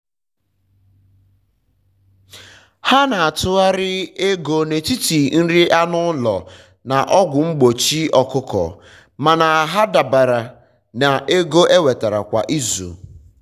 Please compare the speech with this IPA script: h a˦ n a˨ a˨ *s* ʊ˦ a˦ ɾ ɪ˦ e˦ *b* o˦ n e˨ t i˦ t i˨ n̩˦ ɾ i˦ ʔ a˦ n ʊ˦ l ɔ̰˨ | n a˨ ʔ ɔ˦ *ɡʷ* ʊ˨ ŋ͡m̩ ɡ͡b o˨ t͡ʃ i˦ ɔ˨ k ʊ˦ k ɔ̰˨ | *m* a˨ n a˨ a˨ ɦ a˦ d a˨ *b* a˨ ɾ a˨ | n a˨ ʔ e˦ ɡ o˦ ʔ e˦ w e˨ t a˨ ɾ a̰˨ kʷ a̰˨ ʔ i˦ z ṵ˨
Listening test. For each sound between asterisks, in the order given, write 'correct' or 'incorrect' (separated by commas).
incorrect, incorrect, correct, correct, correct